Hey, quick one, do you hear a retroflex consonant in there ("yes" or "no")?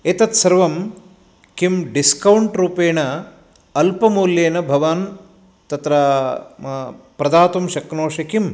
yes